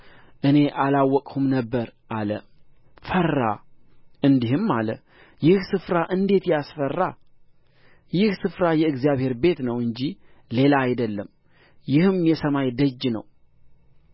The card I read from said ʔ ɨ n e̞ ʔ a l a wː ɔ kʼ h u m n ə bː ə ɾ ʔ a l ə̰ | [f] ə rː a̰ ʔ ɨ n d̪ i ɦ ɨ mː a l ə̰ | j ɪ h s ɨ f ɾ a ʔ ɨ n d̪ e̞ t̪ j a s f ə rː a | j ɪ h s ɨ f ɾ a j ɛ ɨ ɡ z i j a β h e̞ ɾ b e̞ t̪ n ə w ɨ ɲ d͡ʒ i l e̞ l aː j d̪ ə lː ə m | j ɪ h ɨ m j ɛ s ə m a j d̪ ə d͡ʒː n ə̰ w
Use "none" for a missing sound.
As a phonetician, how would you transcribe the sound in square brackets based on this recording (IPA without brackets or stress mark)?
f